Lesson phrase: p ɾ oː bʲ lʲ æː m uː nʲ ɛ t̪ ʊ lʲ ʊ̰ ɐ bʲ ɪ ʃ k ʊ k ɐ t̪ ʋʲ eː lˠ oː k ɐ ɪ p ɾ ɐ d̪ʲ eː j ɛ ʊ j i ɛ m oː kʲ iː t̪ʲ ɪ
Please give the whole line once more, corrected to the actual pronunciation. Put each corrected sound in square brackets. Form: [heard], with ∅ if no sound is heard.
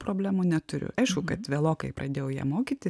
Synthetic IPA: p ɾ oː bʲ lʲ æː m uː nʲ ɛ t̪ ʊ [ɾʲ] ʊ̰ ɐ [∅] ɪ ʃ k ʊ k ɐ t̪ ʋʲ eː lˠ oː k ɐ ɪ p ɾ ɐ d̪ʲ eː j ɛ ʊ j i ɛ m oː kʲ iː t̪ʲ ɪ